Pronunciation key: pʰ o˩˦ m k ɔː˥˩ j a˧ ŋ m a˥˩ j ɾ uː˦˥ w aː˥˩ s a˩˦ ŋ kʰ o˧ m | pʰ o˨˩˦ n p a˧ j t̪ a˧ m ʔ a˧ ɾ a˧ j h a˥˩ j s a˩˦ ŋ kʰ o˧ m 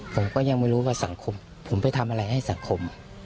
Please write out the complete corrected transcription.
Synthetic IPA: pʰ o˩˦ m k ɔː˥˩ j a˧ ŋ m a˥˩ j ɾ uː˦˥ w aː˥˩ s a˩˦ ŋ kʰ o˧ m | pʰ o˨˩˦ m p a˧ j t̪ʰ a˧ m ʔ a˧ ɾ a˧ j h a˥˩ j s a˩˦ ŋ kʰ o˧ m